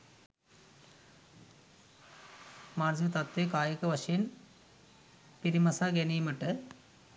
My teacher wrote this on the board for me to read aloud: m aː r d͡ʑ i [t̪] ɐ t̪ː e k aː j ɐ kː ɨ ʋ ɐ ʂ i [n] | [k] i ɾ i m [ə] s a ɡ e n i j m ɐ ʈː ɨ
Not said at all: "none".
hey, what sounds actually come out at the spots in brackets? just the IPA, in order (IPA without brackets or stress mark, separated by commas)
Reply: t̪, n, p, ɐ